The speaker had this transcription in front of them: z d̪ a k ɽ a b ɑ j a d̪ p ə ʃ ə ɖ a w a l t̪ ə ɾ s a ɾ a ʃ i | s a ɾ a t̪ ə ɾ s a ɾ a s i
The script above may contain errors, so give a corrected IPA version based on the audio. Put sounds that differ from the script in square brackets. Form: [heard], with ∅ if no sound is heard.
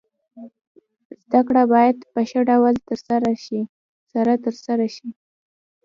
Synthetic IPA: z d̪ a k ɽ a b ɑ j a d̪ p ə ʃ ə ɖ a w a l t̪ ə ɾ s a ɾ a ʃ i | s a ɾ a t̪ ə ɾ s a ɾ a [ʃ] i